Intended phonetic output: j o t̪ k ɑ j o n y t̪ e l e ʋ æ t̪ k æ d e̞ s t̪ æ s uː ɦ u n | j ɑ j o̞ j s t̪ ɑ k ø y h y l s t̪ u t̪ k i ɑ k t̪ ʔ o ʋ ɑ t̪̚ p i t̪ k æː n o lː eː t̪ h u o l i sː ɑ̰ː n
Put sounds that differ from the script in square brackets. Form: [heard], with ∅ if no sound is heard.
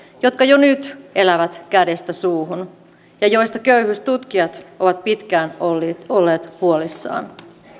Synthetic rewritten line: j o t̪ k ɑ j o n y t̪ e l [æ] ʋ æ t̪ k æ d e̞ s t̪ æ s uː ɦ u n | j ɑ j o̞ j s t̪ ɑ k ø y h y [∅] s t̪ u t̪ k i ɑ [∅] t̪ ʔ o ʋ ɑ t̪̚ p i t̪ k æː n o lː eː t̪ h u o l i sː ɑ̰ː n